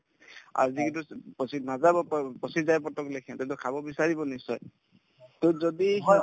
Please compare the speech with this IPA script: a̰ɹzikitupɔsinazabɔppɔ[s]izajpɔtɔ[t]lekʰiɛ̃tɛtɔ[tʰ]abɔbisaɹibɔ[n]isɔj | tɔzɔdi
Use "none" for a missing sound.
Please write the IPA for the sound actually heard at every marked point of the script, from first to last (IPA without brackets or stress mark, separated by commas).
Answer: s, k, kʰ, n